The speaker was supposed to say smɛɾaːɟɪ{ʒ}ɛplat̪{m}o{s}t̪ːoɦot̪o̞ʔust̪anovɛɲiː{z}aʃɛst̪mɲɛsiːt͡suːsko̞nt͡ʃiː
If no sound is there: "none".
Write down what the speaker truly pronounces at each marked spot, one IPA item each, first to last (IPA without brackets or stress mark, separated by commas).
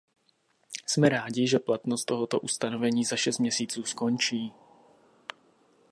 ʒ, n, s, z